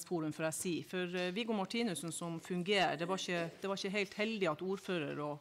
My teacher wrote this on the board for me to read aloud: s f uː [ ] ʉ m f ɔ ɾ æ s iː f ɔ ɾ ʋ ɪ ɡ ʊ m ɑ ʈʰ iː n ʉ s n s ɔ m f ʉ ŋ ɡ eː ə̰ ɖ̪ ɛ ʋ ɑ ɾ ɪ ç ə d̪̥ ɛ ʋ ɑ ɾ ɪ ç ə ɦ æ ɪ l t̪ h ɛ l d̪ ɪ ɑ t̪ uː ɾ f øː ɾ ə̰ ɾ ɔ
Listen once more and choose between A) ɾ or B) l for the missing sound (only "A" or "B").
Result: A